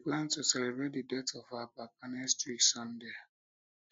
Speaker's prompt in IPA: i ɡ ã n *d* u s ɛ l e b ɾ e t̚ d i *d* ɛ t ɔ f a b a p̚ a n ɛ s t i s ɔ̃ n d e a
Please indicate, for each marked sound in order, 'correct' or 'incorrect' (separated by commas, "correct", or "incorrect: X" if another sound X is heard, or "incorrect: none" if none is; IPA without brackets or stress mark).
incorrect: t, correct